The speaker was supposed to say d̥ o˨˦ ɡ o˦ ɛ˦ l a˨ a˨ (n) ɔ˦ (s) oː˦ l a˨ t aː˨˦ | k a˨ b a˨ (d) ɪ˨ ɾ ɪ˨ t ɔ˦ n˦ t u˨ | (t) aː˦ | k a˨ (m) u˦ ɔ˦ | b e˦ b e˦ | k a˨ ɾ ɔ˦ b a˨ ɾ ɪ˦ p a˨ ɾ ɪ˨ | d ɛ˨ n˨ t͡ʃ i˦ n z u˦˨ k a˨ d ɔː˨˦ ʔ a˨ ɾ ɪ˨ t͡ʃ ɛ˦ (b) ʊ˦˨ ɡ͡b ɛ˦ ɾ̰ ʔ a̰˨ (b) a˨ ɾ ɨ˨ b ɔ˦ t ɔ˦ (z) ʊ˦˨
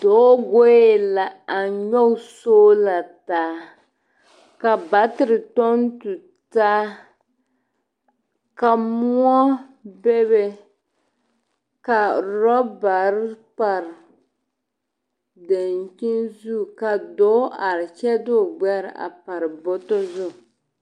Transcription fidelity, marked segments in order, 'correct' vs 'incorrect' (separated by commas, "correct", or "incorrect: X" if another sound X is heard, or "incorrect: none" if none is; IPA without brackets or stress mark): incorrect: ɲ, correct, incorrect: t, correct, correct, incorrect: d, incorrect: p, correct